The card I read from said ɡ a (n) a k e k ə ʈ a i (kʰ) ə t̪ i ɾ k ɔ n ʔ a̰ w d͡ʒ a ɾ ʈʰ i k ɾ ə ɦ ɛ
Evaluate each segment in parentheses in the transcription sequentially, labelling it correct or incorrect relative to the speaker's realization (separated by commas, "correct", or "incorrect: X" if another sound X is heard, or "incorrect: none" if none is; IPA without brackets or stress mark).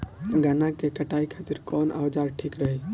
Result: correct, correct